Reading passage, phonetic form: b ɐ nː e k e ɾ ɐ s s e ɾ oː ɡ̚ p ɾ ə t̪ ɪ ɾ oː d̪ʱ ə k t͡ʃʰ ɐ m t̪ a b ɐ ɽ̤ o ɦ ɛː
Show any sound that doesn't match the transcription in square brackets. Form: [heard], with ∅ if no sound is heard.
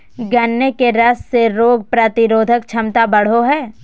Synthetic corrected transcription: [ɡ] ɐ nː e k e ɾ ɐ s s e ɾ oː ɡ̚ p ɾ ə t̪ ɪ ɾ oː d̪ʱ ə k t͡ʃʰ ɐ m t̪ a b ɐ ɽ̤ o ɦ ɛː

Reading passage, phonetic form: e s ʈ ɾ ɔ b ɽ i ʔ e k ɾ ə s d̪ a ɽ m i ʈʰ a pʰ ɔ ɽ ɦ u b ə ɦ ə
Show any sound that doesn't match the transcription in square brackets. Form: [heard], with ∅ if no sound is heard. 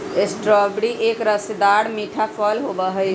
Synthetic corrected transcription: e s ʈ ɾ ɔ b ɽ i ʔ e k ɾ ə s d̪ a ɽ m i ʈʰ a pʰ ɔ [l] ɦ [o] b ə ɦ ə

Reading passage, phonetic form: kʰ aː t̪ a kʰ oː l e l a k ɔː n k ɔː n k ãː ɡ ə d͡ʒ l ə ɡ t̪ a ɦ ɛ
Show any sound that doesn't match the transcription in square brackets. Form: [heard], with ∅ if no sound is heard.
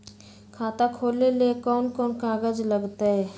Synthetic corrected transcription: kʰ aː t̪ a kʰ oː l e l [e] k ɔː n k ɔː n k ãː ɡ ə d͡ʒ l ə ɡ t̪ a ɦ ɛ

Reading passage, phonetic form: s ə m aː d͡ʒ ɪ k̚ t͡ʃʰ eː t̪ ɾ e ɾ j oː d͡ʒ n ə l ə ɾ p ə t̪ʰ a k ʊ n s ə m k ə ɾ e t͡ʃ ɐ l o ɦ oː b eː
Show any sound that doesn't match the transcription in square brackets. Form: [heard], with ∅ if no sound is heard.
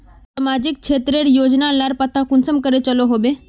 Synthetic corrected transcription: s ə m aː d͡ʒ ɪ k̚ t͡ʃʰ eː t̪ ɾ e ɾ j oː d͡ʒ n [a] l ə ɾ p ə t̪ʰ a k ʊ n s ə m k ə ɾ e t͡ʃ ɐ l o ɦ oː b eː

